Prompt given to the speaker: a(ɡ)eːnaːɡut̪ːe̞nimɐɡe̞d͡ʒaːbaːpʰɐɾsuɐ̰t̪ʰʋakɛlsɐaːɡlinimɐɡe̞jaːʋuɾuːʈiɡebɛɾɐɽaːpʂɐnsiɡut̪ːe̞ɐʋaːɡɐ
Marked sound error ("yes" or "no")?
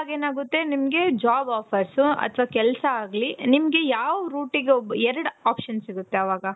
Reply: no